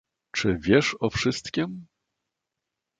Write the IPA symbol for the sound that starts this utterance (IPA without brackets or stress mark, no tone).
t͡ʂ